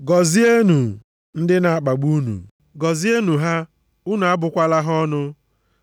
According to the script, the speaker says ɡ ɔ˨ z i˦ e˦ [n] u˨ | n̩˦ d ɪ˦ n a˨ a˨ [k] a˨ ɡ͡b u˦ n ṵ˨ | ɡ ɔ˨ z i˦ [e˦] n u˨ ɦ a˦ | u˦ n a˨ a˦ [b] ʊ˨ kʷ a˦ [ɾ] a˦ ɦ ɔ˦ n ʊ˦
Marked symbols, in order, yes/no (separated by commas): yes, no, yes, yes, no